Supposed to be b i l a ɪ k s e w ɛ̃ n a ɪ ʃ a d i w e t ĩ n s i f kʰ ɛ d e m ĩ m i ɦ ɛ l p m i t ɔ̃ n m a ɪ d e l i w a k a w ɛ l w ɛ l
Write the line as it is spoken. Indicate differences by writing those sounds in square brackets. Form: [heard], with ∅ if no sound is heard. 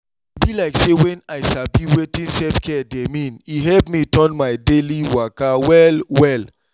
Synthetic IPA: b i l a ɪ k s e w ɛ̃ n a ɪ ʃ a [b] i w e t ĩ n s [ɛ] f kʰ ɛ d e m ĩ [n] i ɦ ɛ l p m i t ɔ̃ n m a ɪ d e l i w a k a w ɛ l w ɛ l